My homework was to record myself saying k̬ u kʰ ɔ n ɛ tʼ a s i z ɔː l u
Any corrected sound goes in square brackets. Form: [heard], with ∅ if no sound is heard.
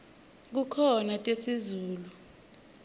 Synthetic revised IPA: k̬ u kʰ ɔ n [a] tʼ [e] s i z [uː] l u

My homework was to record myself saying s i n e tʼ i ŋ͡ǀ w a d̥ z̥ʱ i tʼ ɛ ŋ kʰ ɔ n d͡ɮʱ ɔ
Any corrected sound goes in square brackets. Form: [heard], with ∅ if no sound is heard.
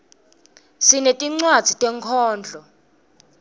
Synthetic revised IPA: s i n e tʼ i ŋ͡ǀ w a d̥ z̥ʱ i tʼ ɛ ŋ kʰ [ɔː] n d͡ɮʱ ɔ

